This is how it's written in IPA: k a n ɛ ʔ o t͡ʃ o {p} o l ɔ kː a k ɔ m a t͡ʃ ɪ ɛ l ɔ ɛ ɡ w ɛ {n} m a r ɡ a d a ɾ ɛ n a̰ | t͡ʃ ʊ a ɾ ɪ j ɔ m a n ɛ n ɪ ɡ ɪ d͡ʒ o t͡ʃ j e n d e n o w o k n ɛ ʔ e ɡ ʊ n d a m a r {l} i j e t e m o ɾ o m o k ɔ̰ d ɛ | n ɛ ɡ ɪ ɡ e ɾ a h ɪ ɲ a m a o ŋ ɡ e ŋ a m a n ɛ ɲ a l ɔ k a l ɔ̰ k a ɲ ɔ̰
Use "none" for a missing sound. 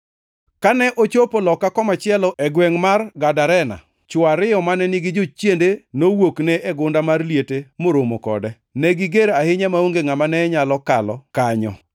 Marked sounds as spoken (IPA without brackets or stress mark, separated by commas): p, ŋ, l